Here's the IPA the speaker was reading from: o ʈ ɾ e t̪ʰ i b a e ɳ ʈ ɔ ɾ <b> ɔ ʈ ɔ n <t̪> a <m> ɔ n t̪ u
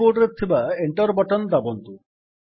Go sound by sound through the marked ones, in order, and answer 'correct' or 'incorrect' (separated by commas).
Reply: correct, incorrect, incorrect